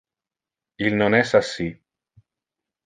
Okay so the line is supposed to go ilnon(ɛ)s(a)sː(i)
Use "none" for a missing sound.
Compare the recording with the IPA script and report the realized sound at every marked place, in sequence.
ɛ, a, i

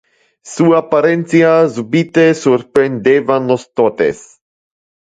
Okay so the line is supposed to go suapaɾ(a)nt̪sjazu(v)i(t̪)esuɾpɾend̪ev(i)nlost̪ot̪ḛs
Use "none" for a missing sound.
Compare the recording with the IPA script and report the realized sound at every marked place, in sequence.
e, b, t̪, a

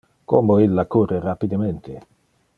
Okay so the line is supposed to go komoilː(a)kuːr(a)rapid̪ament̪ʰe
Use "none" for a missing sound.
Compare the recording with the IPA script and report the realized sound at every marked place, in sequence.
a, e

